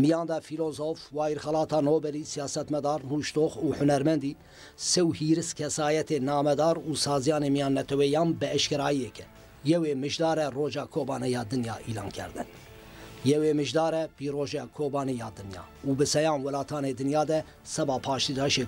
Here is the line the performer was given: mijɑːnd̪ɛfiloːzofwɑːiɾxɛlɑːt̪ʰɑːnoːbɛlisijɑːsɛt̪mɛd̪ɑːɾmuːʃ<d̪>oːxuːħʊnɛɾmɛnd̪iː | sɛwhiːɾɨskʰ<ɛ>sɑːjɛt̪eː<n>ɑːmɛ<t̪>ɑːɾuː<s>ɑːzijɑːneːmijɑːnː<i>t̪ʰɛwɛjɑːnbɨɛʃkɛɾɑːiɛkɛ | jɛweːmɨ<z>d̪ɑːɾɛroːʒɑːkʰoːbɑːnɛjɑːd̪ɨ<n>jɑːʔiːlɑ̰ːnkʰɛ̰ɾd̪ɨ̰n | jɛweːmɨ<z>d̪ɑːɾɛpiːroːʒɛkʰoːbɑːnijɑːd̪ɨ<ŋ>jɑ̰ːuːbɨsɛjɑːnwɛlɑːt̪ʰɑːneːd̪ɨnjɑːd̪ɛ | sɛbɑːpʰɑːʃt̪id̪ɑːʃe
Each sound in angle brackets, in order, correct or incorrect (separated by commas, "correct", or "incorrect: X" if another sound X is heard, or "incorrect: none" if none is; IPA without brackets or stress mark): incorrect: t̪, correct, correct, incorrect: d̪, correct, incorrect: ɛ, incorrect: ʒ, correct, incorrect: ʒ, incorrect: n